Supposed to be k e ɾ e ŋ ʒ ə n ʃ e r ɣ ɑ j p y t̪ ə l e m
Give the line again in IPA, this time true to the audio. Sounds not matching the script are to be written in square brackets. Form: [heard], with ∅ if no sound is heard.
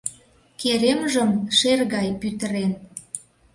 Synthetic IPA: k e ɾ e [m] ʒ ə [m] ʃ e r ɣ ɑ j p y t̪ ə [ɾ] e [n]